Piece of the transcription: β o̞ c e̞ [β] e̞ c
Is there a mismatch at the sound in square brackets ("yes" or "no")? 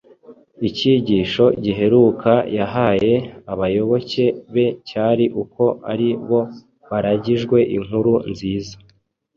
no